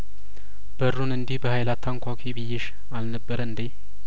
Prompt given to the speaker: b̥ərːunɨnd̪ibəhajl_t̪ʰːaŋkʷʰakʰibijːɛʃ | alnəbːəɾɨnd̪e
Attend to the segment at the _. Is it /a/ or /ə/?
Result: a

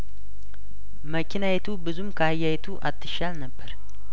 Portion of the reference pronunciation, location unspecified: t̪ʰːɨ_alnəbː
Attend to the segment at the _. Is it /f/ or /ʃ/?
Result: ʃ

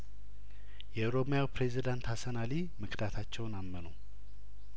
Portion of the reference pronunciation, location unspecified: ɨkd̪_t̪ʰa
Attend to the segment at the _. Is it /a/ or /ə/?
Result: a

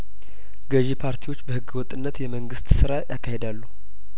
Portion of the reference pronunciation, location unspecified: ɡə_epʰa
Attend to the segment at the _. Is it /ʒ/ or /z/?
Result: ʒ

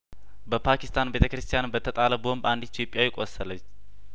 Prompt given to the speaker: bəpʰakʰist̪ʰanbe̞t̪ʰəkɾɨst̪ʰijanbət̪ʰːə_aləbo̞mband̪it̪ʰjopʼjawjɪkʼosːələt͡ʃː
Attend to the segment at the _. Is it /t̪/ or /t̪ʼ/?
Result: t̪ʼ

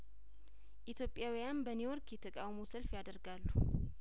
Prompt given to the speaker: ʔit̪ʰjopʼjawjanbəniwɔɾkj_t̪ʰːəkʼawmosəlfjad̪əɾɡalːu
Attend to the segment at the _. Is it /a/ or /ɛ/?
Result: ɛ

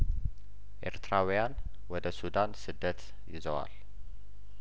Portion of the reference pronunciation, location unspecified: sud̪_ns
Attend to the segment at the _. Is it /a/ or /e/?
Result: a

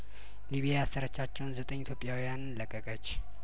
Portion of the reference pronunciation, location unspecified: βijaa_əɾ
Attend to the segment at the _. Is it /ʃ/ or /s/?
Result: s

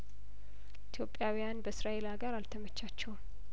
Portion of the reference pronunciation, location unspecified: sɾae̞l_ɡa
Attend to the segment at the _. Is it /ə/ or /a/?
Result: a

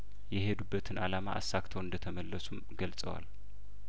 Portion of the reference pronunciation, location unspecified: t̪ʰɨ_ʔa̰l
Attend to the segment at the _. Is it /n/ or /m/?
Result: n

